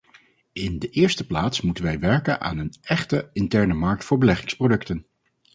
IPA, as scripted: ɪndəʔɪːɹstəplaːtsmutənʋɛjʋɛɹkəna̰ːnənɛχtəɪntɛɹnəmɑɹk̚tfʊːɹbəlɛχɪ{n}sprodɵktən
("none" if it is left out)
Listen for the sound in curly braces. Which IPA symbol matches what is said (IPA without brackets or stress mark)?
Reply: ŋ